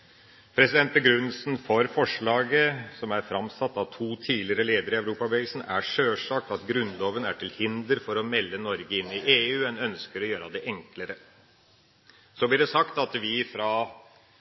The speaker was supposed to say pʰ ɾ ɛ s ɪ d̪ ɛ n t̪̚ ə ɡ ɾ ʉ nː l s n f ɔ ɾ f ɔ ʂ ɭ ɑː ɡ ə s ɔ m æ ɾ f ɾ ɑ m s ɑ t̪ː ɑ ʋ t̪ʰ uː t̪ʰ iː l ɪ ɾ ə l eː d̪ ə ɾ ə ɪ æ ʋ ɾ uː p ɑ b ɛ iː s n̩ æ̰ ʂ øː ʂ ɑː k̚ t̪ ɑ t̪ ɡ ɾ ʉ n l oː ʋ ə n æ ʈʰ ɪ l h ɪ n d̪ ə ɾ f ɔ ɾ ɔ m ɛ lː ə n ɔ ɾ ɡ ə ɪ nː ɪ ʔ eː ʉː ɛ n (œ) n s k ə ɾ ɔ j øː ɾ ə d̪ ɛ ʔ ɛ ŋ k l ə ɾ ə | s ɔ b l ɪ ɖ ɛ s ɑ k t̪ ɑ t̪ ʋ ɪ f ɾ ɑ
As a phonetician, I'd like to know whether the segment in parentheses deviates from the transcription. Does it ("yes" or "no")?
no